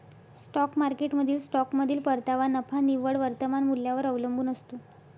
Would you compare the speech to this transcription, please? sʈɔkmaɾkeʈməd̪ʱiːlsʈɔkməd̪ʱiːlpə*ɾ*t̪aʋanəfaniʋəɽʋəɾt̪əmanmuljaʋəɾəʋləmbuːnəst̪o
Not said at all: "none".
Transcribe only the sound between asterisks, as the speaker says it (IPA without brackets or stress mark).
ɾ